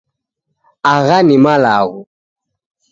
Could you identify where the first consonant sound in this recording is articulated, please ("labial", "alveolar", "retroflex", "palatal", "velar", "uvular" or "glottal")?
velar